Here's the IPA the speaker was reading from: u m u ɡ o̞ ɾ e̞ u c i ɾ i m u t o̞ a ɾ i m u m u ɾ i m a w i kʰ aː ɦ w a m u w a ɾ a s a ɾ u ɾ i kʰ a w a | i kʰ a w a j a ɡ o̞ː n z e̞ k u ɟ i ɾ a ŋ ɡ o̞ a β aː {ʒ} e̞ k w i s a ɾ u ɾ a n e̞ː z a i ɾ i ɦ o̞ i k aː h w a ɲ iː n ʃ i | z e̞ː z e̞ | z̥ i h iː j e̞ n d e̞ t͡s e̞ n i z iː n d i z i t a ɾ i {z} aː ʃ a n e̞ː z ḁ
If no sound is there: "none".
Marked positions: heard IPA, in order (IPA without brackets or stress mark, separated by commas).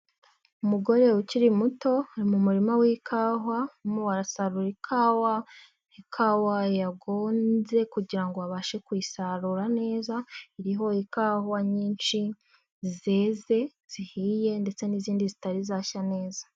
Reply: ʃ, z